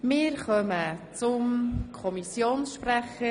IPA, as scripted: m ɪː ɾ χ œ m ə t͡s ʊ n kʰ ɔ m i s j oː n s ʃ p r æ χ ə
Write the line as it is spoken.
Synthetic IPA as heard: m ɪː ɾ χ œ m ə t͡s ʊ m kʰ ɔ m i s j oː n s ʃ p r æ χ ə